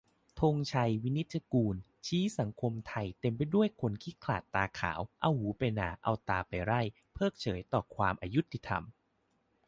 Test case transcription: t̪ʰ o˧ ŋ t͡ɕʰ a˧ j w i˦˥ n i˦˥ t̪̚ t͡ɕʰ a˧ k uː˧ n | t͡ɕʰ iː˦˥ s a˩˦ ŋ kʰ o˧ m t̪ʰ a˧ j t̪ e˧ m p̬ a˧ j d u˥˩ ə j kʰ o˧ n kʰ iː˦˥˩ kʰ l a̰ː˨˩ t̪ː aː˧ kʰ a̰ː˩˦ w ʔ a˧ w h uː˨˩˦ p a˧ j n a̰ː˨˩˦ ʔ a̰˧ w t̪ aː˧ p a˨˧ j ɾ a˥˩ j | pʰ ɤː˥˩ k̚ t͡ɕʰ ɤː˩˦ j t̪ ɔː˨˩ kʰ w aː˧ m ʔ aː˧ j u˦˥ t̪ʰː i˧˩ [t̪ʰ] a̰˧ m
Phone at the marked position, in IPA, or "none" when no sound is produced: t̪ʰ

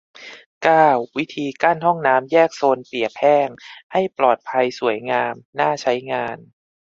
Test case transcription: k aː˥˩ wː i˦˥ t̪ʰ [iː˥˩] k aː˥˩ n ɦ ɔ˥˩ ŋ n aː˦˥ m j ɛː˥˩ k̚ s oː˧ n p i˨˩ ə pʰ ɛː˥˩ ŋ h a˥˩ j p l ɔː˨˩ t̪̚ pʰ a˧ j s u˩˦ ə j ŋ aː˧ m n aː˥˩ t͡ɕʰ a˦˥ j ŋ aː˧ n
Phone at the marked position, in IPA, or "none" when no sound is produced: iː˧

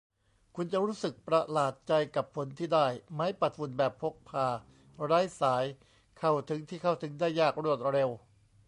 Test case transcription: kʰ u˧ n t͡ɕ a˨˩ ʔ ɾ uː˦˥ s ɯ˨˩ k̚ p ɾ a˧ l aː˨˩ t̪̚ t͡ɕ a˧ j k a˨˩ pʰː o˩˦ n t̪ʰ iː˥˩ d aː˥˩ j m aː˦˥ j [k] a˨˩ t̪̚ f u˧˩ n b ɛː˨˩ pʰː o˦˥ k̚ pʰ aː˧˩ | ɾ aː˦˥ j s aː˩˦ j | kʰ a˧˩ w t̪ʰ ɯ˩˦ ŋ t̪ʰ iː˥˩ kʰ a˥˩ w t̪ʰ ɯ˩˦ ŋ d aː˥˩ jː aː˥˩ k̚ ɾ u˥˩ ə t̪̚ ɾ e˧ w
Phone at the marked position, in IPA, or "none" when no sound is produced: p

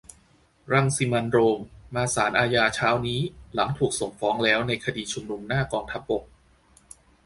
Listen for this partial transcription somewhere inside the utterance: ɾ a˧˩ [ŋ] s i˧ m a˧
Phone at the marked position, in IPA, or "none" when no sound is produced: ŋ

